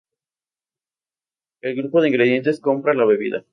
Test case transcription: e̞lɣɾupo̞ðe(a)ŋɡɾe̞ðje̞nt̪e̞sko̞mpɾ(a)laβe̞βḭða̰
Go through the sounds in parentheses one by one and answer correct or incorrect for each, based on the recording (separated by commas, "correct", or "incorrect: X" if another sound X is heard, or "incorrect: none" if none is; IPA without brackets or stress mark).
incorrect: i, correct